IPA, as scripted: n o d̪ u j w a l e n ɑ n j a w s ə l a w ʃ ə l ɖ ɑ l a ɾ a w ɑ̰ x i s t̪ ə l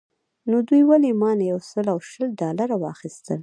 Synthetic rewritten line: n o d̪ u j w a l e m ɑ n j a w s ə l a w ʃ ə l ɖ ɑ l a ɾ a w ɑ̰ x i s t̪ ə l